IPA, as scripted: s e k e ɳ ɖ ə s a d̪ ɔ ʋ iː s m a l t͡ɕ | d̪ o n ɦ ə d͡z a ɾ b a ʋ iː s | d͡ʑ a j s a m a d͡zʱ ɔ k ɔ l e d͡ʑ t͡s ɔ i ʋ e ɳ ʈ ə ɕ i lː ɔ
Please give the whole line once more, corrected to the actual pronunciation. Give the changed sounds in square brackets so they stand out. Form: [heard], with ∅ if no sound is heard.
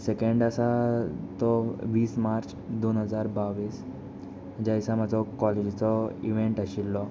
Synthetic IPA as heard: s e k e ɳ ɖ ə s a [t̪] ɔ ʋ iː s m a [ɾ] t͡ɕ | d̪ o n ɦ ə d͡z a ɾ b a ʋ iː s | d͡ʑ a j s a m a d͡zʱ ɔ k ɔ l e d͡ʑ t͡s ɔ i ʋ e ɳ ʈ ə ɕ i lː ɔ